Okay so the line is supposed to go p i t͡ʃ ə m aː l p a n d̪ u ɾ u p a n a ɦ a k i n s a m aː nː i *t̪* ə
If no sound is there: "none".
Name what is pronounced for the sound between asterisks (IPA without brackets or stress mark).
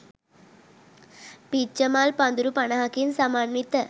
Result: t̪